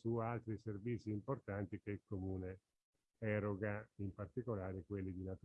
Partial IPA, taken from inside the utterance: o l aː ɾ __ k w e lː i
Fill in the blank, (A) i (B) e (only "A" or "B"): B